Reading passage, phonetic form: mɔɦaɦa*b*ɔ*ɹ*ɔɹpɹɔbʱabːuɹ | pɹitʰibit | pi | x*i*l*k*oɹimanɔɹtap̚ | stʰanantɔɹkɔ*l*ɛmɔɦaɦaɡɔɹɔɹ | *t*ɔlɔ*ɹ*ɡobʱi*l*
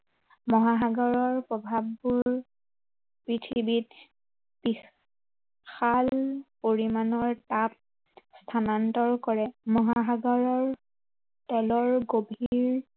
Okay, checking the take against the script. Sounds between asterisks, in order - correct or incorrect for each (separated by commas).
incorrect, correct, incorrect, incorrect, incorrect, correct, correct, incorrect